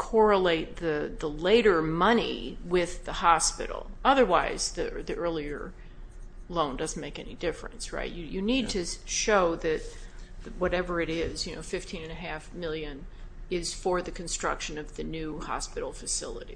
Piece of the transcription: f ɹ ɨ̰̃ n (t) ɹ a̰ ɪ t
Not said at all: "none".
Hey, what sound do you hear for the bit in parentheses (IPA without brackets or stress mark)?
s